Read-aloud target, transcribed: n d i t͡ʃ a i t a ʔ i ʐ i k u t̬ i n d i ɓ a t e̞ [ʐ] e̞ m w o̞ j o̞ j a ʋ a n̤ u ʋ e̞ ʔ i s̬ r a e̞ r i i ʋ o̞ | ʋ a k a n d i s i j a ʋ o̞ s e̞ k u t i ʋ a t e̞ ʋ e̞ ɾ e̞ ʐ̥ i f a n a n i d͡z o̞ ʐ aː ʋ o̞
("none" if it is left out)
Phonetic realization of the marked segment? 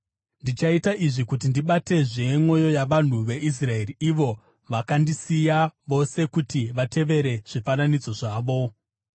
ʐ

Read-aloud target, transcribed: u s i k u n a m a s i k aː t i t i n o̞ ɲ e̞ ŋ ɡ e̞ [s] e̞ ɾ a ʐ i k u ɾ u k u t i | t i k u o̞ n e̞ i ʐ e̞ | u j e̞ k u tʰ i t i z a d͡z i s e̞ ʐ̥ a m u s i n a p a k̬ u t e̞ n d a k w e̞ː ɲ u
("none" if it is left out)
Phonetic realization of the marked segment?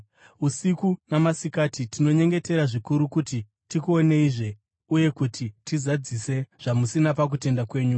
t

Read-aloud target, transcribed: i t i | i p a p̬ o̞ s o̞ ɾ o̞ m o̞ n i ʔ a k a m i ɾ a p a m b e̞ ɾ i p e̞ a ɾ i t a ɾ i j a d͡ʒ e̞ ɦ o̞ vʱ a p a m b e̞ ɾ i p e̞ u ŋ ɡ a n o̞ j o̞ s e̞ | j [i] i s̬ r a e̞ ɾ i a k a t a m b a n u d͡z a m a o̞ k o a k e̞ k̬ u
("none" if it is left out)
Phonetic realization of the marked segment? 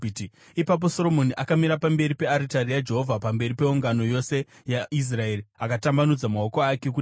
a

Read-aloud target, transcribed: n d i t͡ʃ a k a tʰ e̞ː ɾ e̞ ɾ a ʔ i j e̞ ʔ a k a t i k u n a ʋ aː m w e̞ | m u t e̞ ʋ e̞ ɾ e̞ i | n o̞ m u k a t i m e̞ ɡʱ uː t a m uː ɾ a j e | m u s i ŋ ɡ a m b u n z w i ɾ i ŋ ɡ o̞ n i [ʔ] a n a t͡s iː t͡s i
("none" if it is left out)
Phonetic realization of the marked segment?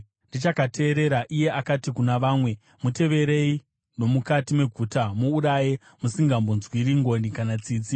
k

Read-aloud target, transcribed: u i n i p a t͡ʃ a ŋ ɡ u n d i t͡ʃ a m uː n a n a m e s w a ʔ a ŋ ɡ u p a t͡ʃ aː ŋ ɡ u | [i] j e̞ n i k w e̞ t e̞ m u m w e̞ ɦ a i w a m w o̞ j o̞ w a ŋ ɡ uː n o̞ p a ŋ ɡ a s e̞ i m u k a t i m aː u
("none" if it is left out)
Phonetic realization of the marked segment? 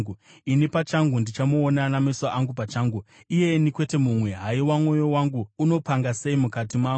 i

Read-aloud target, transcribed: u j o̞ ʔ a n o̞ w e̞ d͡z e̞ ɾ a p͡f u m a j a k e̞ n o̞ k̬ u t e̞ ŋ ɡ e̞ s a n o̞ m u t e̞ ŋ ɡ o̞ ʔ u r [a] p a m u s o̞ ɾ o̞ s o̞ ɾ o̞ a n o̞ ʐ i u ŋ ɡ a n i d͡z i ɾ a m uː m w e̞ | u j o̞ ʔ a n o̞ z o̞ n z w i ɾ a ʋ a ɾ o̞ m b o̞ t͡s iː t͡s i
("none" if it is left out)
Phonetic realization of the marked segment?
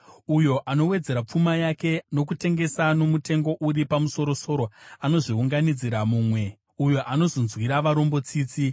i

